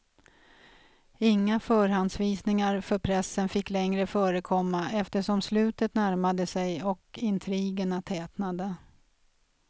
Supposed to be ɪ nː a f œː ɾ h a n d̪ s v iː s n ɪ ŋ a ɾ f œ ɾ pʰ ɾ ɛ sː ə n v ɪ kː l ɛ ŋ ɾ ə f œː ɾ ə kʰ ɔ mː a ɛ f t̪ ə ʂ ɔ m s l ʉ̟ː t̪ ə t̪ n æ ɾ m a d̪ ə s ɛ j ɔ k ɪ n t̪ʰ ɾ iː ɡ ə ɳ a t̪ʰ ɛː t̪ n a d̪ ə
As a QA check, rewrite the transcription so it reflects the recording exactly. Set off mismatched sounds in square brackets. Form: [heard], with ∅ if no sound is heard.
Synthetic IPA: ɪ [ŋː] a f œː ɾ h a n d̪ s v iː s n ɪ ŋ a ɾ f œ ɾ pʰ ɾ ɛ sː ə n [f] ɪ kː l ɛ ŋ ɾ ə f œː ɾ ə kʰ ɔ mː a ɛ f t̪ ə ʂ ɔ m s l ʉ̟ː t̪ ə t̪ n æ ɾ m a d̪ ə s ɛ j ɔ k ɪ n t̪ʰ ɾ iː ɡ ə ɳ a t̪ʰ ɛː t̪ n a d̪ ə